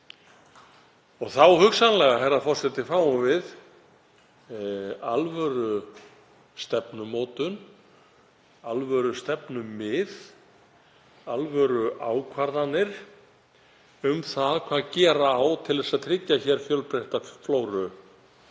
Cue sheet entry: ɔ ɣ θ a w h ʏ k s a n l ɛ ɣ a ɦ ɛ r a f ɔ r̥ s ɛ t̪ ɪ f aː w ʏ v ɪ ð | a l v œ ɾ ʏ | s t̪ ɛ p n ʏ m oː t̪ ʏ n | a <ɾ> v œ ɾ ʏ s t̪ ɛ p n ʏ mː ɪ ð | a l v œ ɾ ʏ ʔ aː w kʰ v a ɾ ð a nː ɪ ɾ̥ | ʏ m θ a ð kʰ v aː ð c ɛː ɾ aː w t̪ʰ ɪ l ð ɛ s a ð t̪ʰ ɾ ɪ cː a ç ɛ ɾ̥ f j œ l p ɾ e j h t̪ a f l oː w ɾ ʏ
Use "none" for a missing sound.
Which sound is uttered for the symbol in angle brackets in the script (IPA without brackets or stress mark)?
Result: l